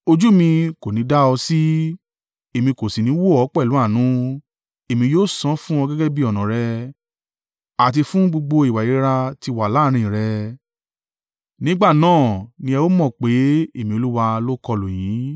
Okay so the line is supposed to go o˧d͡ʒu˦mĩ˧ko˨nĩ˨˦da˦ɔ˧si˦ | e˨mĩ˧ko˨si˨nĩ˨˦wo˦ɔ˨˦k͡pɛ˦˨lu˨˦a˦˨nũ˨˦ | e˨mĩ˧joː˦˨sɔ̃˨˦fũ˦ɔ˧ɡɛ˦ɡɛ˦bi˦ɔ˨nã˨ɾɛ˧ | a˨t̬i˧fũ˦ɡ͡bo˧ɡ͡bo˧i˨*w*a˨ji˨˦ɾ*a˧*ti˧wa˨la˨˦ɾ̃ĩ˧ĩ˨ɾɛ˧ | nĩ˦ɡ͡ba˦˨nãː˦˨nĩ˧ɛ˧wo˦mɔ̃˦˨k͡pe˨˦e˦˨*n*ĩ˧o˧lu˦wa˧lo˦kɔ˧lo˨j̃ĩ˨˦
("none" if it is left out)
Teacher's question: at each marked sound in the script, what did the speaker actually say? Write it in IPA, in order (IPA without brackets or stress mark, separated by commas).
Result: w, a˧, m